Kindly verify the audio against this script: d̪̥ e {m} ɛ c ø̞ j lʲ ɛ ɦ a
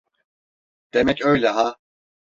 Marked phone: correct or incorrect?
correct